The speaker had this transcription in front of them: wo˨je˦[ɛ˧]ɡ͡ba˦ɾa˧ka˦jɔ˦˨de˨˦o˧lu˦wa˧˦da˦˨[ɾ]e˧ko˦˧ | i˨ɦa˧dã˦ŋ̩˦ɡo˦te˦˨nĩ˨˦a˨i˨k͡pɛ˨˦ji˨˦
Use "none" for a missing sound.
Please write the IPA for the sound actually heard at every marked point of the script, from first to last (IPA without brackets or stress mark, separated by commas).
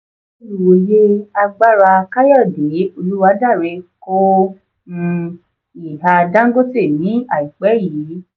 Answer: a˧, ɾ